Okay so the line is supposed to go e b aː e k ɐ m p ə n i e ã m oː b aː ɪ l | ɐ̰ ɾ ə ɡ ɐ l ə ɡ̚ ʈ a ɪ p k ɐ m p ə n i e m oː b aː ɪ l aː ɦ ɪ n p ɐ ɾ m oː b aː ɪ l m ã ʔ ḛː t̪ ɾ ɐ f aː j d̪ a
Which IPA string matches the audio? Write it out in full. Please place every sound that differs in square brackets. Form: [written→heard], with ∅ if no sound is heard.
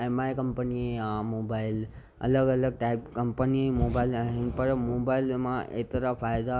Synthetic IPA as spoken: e [b→m] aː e k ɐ m p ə n i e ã m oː b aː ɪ l | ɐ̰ [ɾ→l] ə ɡ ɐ l ə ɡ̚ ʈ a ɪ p k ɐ m p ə n i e m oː b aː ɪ l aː ɦ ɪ n p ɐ ɾ m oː b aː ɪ l m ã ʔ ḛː t̪ ɾ [ɐ→a] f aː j d̪ a